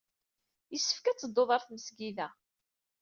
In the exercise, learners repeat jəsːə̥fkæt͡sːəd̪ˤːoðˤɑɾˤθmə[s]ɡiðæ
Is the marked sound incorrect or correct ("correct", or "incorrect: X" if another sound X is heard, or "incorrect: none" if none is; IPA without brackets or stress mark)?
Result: correct